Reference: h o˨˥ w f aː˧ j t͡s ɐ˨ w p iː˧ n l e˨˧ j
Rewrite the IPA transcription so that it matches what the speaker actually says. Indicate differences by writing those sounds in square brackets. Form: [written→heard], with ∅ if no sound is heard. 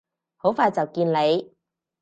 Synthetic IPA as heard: h o˨˥ w f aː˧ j t͡s ɐ˨ w [p→k] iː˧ n l e˨˧ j